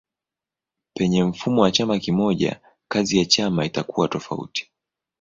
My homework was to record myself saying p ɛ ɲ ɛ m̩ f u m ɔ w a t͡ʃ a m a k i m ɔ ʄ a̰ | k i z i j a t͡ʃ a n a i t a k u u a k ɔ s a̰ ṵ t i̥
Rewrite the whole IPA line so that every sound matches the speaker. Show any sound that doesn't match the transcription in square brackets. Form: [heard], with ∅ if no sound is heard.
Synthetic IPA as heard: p ɛ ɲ ɛ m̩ f u m ɔ w a t͡ʃ a m a k i m ɔ ʄ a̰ | k [a] z i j a t͡ʃ a [m] a i t a k u [w] a [t] ɔ [f] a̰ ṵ t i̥